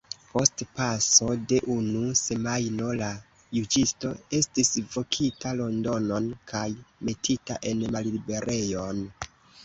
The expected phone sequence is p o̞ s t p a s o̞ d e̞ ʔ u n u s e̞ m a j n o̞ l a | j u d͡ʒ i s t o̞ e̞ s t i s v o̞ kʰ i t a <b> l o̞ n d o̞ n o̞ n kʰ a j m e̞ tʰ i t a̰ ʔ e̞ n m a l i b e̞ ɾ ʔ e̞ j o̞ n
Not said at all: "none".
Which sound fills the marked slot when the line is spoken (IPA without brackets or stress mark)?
none